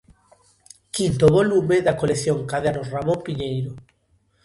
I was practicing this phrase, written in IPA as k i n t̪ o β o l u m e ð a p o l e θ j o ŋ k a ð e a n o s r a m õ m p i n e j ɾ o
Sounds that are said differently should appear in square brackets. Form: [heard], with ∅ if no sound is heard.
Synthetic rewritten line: k i n t̪ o β o l u m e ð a [k] o l e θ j o ŋ k a ð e a n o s r a m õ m p i [ɲ] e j ɾ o